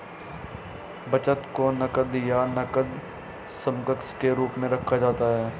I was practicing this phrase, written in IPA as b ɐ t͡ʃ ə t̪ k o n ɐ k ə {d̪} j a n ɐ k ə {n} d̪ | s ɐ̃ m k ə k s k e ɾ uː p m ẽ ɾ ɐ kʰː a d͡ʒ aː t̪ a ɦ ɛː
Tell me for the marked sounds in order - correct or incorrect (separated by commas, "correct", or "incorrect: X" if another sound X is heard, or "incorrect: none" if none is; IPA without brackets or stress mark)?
correct, incorrect: none